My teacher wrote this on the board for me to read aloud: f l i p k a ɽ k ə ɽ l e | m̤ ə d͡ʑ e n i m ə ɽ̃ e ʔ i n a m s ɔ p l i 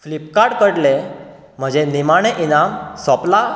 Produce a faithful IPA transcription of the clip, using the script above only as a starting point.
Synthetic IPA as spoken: f l i p k a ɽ k ə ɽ l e | m̤ ə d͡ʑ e n i m a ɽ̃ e ʔ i n a m s ɔ p l a